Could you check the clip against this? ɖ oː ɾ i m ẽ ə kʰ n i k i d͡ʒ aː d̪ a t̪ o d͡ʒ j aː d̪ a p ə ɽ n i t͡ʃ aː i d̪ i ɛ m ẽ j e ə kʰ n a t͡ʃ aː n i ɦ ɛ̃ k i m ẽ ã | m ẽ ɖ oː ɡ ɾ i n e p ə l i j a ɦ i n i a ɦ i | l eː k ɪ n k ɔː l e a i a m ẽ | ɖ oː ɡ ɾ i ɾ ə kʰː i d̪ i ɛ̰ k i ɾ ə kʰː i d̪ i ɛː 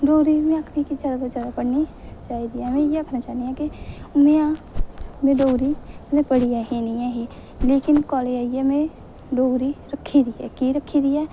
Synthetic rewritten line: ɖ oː ɾ i m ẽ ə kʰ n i k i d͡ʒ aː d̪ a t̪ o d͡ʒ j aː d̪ a p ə ɽ n i t͡ʃ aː i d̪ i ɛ m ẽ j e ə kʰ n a t͡ʃ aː n i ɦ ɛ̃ k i m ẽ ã | m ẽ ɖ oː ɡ ɾ i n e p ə ɽ i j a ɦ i n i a ɦ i | l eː k ɪ n k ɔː l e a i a m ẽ | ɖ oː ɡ ɾ i ɾ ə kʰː i d̪ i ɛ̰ k i ɾ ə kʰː i d̪ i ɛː

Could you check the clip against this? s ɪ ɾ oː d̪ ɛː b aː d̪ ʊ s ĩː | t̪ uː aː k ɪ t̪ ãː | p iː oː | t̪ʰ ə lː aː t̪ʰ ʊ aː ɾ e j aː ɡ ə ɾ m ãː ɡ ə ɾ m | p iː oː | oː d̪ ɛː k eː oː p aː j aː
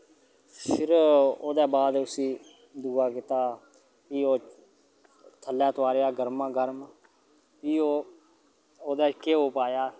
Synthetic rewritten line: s ɪ ɾ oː d̪ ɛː b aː d̪ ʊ s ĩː | d̪ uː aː k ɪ t̪ aː | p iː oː | t̪ʰ ə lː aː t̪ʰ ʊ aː ɾ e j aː ɡ ə ɾ m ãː ɡ ə ɾ m | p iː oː | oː d̪ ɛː k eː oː p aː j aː

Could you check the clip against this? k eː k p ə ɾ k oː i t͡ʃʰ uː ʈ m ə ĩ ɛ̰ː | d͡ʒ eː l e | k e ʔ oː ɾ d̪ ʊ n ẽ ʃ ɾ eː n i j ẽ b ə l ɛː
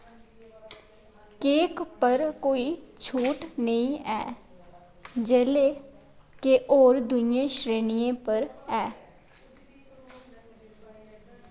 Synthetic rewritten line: k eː k p ə ɾ k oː i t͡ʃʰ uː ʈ n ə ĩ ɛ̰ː | d͡ʒ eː l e | k e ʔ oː ɾ d̪ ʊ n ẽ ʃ ɾ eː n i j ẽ p ə ɾ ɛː

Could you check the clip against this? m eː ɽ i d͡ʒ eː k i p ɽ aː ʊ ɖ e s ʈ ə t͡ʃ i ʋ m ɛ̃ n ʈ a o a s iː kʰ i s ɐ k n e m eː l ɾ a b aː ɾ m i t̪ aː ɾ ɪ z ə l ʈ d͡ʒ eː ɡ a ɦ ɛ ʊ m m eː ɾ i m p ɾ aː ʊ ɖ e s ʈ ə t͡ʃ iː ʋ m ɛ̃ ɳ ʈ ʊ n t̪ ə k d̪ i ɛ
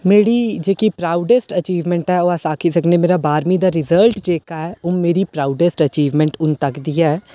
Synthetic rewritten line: m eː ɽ i d͡ʒ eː k i p ɾ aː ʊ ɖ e s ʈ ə t͡ʃ iː ʋ m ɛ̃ ɳ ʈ ɛ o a s aː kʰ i s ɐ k n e m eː ɾ a b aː ɾ m i d̪ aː ɾ ɪ z ə l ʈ d͡ʒ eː k a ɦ ɛ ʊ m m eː ɾ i p ɾ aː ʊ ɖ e s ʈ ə t͡ʃ iː ʋ m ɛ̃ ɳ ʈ ʊ n t̪ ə k d̪ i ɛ

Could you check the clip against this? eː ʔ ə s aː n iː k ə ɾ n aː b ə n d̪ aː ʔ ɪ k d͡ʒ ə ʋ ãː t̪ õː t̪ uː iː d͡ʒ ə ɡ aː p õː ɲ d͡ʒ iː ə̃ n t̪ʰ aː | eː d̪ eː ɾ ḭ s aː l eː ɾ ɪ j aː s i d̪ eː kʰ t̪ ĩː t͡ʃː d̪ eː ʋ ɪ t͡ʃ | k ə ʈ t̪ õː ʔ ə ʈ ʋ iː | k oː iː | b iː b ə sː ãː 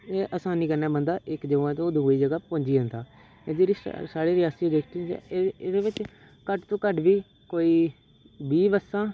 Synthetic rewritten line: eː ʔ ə s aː n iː k ə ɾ n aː b ə n d̪ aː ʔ ɪ k d͡ʒ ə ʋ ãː t̪ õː d̪ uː iː d͡ʒ ə ɡ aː p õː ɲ d͡ʒ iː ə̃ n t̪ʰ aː | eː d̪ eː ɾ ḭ s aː ɽ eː ɾ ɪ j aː s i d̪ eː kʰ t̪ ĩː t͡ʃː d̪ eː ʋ ɪ t͡ʃ | k ə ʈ t̪ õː k ə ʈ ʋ iː | k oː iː | b iː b ə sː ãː

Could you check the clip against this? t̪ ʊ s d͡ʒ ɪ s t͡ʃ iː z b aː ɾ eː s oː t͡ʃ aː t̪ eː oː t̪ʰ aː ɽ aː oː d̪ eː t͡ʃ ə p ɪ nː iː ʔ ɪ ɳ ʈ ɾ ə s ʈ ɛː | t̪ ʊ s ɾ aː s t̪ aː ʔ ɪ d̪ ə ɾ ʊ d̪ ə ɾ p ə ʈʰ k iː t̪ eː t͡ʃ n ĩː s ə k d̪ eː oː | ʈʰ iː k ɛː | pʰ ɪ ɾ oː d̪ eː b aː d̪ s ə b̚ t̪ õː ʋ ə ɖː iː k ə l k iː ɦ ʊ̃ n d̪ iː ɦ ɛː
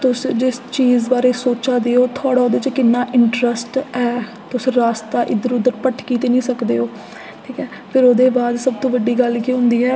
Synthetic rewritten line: t̪ ʊ s d͡ʒ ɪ s t͡ʃ iː z b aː ɾ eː s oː t͡ʃ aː d̪ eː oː t̪ʰ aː ɽ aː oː d̪ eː t͡ʃ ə k ɪ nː aː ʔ ɪ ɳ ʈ ɾ ə s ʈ ɛː | t̪ ʊ s ɾ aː s t̪ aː ʔ ɪ d̪ ə ɾ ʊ d̪ ə ɾ p ə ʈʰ k iː t̪ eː n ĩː s ə k d̪ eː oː | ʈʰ iː k ɛː | pʰ ɪ ɾ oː d̪ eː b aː d̪ s ə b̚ t̪ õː ʋ ə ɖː iː ɡ ə l k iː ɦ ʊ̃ n d̪ iː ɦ ɛː

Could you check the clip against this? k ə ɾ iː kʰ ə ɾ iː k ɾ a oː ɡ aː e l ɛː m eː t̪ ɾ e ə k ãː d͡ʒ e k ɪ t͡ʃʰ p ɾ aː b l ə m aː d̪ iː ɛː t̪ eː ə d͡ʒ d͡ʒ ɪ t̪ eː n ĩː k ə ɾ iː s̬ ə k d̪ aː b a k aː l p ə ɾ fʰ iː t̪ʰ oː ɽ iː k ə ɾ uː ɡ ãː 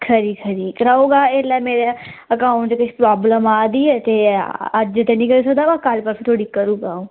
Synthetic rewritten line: kʰ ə ɾ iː kʰ ə ɾ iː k ɾ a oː ɡ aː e l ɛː m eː ɾ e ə k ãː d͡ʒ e k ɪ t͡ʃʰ p ɾ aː b l ə m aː d̪ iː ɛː t̪ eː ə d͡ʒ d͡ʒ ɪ t̪ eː n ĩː k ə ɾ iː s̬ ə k d̪ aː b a k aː l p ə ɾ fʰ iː t̪ʰ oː ɽ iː k ə ɾ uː ɡ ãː

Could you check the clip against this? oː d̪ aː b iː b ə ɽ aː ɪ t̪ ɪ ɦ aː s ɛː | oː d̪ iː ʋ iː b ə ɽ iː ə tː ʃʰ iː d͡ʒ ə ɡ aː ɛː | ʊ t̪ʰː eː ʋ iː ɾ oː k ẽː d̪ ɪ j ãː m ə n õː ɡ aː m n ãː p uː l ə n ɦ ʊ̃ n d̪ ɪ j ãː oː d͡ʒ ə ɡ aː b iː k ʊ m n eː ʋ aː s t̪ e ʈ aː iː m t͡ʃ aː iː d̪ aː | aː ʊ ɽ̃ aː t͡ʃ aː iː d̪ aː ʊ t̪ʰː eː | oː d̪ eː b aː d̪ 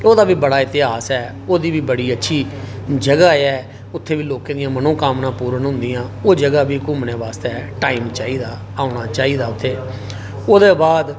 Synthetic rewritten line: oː d̪ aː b iː b ə ɽ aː ɪ t̪ ɪ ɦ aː s ɛː | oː d̪ iː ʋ iː b ə ɽ iː ə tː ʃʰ iː d͡ʒ ə ɡ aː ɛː | ʊ t̪ʰː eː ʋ iː l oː k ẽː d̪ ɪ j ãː m ə n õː k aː m n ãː p uː ɾ ə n ɦ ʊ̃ n d̪ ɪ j ãː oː d͡ʒ ə ɡ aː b iː k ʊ m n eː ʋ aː s t̪ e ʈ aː iː m t͡ʃ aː iː d̪ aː | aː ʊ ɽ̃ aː t͡ʃ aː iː d̪ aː ʊ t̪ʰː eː | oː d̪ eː b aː d̪

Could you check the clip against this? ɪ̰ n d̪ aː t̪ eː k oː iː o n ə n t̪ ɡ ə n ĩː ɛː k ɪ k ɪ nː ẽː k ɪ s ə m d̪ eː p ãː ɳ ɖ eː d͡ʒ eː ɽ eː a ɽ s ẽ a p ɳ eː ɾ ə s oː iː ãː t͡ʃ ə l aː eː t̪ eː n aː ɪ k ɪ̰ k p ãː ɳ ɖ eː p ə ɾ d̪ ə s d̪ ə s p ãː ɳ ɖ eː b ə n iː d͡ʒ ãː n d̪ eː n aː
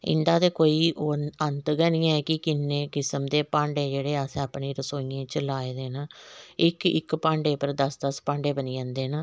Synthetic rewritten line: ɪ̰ n d̪ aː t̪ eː k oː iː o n ə n t̪ ɡ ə n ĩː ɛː k ɪ k ɪ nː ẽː k ɪ s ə m d̪ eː p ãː ɳ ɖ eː d͡ʒ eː ɽ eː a s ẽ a p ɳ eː ɾ ə s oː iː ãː t͡ʃ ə l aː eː d̪ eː n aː ɪ k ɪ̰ k p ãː ɳ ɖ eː p ə ɾ d̪ ə s d̪ ə s p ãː ɳ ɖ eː b ə n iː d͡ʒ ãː n d̪ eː n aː

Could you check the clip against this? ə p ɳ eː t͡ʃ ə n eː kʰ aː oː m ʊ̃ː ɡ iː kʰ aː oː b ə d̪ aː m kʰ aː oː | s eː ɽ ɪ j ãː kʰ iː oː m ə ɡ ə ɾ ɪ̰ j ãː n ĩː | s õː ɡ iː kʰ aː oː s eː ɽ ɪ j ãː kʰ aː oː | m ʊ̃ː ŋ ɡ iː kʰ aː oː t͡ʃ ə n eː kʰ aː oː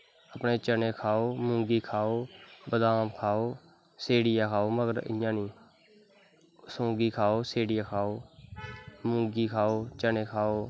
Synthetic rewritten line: ə p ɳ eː t͡ʃ ə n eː kʰ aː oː m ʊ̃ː ɡ iː kʰ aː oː b ə d̪ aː m kʰ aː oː | s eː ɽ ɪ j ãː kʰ aː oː m ə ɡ ə ɾ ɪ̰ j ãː n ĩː | s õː ɡ iː kʰ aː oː s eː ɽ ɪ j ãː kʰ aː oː | m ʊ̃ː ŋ ɡ iː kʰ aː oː t͡ʃ ə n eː kʰ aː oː

